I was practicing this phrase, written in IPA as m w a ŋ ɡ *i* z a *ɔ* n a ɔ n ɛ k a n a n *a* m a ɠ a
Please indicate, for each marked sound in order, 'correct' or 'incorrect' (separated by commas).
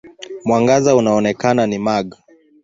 incorrect, incorrect, incorrect